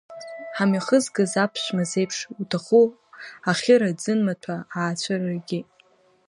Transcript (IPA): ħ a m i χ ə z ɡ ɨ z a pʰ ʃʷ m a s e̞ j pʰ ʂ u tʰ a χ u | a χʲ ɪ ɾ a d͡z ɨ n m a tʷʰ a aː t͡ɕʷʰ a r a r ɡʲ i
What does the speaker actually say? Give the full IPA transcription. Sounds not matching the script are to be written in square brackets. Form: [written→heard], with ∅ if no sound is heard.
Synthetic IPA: ħ a m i χ ə z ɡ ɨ z a pʰ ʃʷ m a [s→z] e̞ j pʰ ʂ u tʰ a χ u | a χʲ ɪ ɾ a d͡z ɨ n m a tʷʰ a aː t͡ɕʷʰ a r a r ɡʲ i